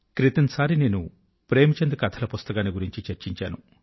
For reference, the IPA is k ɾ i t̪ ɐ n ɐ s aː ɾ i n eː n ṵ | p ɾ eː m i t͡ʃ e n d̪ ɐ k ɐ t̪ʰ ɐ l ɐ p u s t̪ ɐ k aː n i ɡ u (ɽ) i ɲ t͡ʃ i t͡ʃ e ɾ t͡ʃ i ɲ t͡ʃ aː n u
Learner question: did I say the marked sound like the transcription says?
no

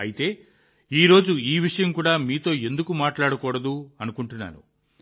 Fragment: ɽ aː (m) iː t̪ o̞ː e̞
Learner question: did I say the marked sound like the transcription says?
yes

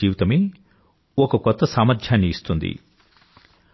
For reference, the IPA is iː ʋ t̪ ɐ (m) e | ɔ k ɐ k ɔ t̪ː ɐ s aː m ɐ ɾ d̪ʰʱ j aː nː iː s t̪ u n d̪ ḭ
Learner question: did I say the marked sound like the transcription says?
yes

